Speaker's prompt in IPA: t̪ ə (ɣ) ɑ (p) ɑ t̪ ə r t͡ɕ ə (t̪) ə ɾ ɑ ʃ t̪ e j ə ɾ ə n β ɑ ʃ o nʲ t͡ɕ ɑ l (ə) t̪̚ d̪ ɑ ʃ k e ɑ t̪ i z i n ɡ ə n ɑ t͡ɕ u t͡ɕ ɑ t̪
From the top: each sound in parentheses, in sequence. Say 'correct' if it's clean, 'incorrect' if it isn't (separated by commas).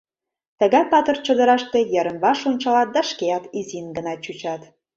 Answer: correct, correct, incorrect, incorrect